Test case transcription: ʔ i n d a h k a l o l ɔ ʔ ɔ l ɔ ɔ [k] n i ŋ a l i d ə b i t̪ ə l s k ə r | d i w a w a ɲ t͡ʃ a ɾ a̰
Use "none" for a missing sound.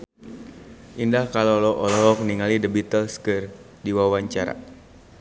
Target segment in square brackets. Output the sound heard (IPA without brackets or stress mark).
k